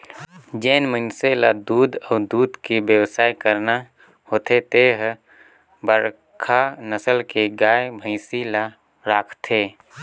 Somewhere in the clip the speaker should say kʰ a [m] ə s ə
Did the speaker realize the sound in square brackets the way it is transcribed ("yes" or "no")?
no